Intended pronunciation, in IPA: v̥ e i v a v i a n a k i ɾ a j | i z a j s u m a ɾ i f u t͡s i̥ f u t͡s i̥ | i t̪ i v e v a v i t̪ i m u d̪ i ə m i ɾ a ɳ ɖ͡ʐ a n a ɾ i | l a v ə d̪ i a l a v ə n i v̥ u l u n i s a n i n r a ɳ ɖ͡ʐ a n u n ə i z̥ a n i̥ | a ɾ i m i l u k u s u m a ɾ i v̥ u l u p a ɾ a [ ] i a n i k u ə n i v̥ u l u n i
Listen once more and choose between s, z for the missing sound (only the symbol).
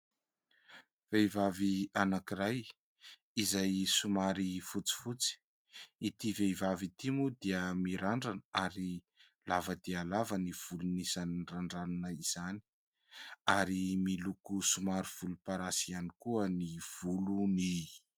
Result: s